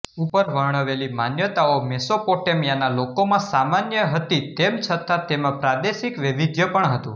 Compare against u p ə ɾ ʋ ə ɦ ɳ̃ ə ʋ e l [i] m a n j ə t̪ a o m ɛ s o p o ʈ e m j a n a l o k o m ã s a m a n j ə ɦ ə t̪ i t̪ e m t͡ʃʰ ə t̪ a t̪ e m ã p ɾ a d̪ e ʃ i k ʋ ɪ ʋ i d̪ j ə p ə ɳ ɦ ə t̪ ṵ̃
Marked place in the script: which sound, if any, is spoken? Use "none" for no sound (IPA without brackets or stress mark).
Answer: i